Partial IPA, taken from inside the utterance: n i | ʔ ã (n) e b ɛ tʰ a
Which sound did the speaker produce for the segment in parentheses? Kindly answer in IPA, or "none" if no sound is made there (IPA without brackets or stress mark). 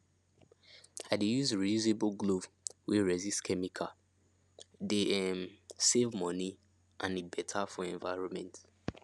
n